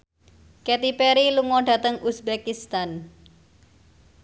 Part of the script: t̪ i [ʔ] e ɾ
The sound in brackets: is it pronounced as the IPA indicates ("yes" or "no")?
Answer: no